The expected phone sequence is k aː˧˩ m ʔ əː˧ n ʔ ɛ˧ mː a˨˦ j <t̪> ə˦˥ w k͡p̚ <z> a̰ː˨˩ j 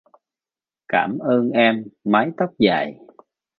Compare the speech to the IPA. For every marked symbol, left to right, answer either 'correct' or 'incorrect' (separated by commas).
correct, correct